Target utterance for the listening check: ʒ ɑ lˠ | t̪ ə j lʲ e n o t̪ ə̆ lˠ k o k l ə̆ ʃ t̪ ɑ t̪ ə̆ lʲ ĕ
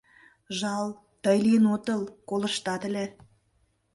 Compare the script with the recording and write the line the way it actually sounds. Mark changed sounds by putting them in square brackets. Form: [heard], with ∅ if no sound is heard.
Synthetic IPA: ʒ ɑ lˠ | t̪ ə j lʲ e n o t̪ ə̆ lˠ k o [∅] l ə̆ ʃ t̪ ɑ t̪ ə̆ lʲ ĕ